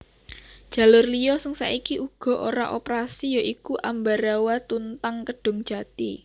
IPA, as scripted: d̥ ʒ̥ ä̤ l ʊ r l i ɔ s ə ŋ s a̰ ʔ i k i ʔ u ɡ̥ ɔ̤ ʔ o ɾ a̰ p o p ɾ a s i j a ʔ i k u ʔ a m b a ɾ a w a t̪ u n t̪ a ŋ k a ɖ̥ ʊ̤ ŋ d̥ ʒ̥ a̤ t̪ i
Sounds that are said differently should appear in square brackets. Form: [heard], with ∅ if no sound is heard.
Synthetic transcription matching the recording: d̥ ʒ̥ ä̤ l ʊ r l i ɔ s ə ŋ s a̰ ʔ i k i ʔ u ɡ̥ ɔ̤ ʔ o ɾ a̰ [ʔ] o p ɾ a s i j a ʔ i k u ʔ a m b a ɾ a w a t̪ u n t̪ a ŋ k [ə] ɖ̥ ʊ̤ ŋ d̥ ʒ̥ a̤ t̪ i